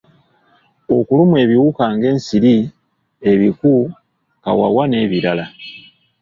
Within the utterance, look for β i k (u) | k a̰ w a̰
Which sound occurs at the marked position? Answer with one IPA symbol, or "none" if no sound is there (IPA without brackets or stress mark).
u